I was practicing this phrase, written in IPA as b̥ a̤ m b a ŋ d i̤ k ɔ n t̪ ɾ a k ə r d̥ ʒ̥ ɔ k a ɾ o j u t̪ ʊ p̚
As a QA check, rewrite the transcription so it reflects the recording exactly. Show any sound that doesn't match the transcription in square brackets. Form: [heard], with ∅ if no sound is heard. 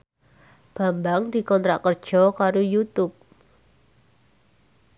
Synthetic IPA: b̥ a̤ m b a ŋ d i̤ k ɔ n t̪ ɾ a k ə r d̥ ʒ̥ ɔ k a ɾ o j u t̪ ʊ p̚